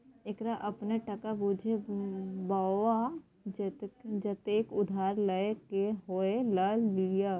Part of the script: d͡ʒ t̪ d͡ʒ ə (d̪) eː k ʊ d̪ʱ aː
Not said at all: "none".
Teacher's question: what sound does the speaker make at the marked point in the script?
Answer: t̪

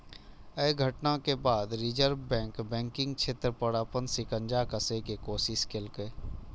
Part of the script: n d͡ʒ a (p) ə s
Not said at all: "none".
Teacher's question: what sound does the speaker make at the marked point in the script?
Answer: k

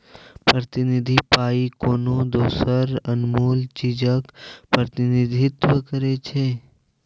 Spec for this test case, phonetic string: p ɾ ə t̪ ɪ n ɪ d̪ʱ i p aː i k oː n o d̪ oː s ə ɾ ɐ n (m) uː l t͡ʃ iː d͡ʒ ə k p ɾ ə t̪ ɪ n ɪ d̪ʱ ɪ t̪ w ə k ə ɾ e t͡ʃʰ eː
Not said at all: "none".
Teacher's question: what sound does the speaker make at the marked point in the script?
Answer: m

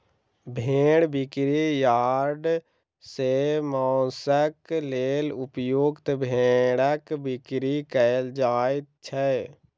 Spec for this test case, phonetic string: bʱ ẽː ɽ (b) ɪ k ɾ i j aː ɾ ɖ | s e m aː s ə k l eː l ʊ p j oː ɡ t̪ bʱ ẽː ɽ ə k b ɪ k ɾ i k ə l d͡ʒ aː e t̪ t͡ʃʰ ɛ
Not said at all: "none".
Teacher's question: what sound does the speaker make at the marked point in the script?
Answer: b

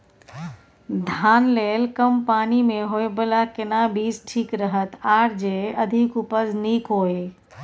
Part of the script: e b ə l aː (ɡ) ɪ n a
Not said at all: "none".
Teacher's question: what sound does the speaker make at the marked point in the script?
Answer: k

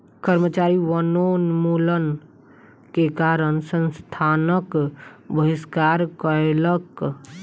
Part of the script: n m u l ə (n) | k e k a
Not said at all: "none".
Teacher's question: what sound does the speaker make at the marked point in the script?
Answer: n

